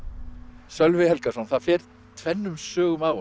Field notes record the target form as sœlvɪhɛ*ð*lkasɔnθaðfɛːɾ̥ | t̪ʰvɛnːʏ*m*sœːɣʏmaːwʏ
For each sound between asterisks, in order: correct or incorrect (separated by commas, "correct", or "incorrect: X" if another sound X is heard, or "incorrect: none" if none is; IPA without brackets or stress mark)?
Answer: incorrect: none, correct